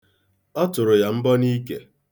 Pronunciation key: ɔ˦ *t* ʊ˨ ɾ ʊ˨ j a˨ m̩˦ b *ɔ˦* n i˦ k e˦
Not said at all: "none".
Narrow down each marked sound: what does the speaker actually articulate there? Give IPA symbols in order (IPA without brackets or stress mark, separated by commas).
t, ɔ˦